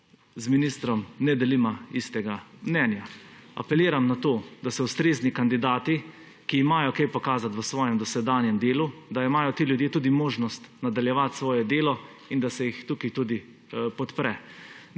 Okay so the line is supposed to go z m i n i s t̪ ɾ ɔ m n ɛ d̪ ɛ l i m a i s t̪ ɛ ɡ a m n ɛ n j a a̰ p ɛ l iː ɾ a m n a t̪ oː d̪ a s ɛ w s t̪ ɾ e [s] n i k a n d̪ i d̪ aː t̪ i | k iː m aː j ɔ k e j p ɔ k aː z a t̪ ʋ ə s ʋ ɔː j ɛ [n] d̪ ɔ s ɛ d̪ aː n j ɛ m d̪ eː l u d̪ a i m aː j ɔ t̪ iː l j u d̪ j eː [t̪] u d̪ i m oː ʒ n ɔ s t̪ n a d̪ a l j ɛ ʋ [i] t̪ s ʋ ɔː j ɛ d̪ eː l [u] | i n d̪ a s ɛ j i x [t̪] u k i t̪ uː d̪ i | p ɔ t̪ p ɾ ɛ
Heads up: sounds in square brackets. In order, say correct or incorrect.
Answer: incorrect: z, incorrect: m, correct, incorrect: a, incorrect: ɔ, correct

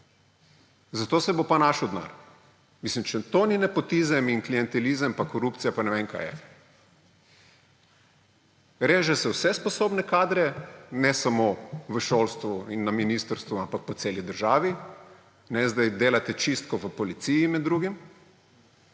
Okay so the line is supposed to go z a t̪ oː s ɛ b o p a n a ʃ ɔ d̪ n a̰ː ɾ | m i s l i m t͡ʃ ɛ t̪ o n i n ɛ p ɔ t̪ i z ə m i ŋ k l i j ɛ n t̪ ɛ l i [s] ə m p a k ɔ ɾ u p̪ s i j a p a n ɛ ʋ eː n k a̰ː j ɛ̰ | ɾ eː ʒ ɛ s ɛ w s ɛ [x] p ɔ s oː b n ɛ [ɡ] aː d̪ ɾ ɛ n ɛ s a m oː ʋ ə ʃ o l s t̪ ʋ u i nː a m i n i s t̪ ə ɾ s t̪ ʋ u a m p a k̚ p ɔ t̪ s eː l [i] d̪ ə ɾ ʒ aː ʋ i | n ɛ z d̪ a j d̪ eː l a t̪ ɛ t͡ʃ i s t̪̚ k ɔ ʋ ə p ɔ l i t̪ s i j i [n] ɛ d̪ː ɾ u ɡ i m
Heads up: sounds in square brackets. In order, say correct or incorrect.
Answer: incorrect: z, incorrect: s, incorrect: k, correct, incorrect: m

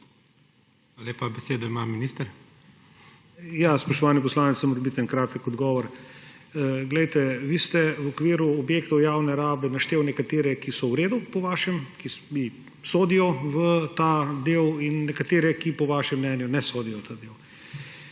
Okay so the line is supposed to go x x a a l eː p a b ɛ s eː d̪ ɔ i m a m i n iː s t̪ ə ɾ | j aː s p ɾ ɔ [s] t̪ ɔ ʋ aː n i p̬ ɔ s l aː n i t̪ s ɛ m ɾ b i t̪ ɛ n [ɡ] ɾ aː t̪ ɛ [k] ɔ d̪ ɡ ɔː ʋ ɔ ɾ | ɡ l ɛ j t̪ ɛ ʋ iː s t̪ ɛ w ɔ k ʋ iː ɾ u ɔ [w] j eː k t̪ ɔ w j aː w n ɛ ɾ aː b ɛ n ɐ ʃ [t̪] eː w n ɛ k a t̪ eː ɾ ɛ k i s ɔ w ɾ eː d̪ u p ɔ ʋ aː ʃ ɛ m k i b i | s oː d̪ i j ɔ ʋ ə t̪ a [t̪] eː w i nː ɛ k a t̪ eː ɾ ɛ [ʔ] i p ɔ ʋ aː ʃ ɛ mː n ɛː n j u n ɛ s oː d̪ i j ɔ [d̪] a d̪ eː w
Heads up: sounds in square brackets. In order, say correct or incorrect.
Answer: incorrect: ʃ, incorrect: k, correct, incorrect: b, correct, incorrect: d̪, incorrect: k, incorrect: t̪

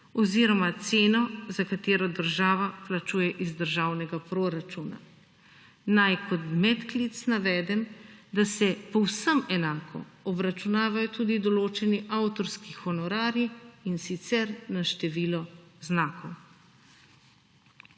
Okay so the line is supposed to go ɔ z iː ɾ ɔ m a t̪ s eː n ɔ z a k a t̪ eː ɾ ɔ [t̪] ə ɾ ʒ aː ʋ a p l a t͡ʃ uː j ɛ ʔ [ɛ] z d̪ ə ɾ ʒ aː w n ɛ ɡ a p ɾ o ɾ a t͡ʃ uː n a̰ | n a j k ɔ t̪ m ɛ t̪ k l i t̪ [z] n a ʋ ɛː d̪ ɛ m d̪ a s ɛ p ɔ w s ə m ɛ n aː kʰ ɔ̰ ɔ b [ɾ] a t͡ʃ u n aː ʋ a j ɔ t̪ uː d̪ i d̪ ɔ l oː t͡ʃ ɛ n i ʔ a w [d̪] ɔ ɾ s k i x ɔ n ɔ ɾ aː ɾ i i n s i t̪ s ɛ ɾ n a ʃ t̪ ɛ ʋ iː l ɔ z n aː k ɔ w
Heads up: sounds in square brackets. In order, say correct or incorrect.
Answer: incorrect: d̪, incorrect: i, incorrect: s, correct, incorrect: t̪

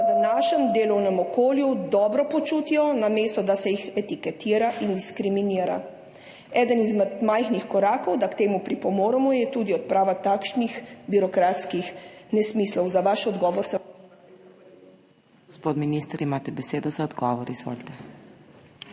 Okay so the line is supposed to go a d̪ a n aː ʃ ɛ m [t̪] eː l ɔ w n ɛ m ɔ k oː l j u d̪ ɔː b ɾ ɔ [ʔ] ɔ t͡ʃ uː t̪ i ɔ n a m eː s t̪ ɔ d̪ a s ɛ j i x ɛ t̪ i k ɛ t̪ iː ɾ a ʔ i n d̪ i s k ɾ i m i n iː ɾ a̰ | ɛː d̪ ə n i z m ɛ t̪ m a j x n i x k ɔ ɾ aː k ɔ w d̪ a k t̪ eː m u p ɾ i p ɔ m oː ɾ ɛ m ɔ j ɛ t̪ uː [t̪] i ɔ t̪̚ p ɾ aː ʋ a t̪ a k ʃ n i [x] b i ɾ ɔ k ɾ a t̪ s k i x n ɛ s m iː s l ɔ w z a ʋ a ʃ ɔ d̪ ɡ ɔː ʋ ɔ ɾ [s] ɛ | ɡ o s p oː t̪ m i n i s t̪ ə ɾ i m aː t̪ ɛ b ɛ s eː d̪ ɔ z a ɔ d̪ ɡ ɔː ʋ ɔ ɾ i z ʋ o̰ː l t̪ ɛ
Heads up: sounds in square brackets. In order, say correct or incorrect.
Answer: incorrect: d̪, incorrect: p, incorrect: d̪, correct, correct

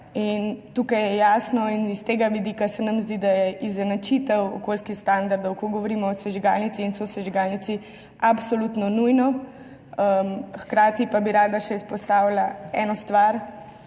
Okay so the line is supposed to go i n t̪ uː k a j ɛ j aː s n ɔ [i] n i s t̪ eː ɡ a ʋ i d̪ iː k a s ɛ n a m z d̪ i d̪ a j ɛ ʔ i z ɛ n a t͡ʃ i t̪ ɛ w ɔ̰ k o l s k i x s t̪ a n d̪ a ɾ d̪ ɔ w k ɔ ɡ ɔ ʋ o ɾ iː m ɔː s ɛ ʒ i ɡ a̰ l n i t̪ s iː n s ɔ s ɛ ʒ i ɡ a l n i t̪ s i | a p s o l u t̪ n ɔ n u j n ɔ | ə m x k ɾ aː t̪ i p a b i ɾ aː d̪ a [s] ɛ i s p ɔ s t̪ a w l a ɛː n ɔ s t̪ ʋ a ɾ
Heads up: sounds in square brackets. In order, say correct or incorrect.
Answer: correct, incorrect: ʃ

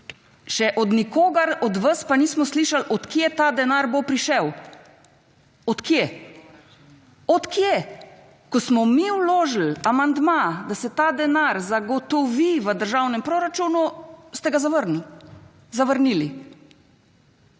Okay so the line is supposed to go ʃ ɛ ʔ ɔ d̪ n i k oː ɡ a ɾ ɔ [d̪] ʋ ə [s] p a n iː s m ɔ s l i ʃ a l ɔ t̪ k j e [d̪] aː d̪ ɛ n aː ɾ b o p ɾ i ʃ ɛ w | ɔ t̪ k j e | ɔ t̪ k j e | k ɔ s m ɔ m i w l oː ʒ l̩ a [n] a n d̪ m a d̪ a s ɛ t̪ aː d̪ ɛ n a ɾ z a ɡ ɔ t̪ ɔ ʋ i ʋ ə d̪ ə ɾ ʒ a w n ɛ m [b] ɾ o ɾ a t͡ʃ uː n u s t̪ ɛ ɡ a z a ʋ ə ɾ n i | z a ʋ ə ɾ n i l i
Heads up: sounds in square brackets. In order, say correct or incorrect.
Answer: correct, correct, incorrect: t̪, incorrect: m, incorrect: p

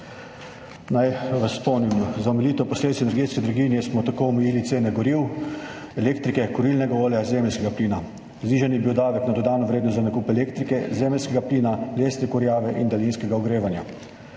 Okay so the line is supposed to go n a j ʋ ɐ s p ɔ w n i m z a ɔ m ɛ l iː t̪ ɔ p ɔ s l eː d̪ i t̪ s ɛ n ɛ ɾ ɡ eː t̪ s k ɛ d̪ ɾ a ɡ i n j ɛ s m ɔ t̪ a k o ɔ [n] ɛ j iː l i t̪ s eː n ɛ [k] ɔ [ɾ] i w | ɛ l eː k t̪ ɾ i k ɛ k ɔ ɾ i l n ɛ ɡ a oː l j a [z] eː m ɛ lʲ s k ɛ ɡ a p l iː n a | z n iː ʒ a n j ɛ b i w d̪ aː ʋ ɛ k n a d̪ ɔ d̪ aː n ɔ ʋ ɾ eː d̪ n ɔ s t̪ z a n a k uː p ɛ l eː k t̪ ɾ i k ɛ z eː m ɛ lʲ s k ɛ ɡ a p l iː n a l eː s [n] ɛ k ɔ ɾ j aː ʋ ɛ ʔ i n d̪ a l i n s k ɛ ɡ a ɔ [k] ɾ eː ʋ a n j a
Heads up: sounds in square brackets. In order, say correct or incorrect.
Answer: incorrect: m, incorrect: ɡ, correct, correct, correct, incorrect: ɡ

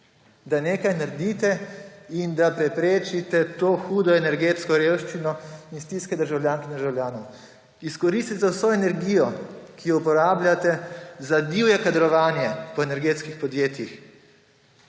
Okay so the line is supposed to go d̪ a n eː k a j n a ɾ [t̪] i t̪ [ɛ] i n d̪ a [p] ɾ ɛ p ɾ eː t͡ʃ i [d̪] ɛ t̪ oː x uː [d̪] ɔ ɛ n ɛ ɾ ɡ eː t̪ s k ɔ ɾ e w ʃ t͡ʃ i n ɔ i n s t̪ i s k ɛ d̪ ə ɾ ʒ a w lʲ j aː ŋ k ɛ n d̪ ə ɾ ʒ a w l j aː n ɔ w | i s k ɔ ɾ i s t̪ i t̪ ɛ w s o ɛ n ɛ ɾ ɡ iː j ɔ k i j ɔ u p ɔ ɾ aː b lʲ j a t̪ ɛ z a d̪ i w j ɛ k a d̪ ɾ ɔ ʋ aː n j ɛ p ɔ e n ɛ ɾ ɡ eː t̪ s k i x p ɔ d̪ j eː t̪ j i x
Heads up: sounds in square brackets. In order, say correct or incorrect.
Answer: incorrect: d̪, correct, correct, incorrect: t̪, correct

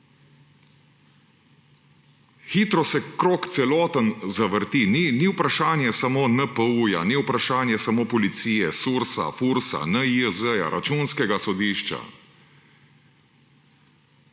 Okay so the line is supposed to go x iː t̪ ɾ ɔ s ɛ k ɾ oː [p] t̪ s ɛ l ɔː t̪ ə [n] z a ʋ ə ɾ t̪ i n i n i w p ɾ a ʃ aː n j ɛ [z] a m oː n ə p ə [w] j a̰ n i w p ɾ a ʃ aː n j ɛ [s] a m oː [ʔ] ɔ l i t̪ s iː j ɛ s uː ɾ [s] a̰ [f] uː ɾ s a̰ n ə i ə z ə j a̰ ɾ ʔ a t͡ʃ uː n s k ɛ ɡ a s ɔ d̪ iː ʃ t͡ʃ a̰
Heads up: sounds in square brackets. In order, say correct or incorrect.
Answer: incorrect: k, correct, incorrect: s, incorrect: u, correct, incorrect: p, correct, correct

